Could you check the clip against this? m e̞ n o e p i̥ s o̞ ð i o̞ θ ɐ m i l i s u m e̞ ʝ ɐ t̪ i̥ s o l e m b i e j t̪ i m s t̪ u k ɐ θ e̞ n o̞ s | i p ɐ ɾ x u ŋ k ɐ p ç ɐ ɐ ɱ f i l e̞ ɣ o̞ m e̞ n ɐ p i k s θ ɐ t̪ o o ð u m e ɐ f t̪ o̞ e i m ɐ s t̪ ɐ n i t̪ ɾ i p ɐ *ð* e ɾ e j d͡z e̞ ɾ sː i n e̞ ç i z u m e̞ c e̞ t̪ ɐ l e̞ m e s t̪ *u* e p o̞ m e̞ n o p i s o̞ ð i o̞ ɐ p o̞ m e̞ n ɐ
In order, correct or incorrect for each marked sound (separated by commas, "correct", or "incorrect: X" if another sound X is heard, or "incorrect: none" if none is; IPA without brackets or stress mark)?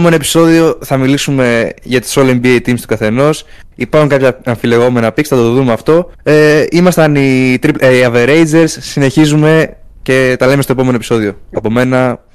incorrect: v, incorrect: o